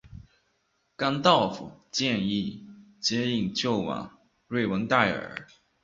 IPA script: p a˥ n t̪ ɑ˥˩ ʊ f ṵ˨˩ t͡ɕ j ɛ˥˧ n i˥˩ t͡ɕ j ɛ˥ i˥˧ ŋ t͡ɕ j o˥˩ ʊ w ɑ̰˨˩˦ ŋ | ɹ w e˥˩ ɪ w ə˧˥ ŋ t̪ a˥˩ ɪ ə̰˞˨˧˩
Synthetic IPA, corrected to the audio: k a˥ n t̪ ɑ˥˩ ʊ f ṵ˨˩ t͡ɕ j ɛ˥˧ n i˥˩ t͡ɕ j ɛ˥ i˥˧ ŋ t͡ɕ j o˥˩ ʊ w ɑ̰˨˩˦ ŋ | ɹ w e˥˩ ɪ w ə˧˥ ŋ t̪ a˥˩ ɪ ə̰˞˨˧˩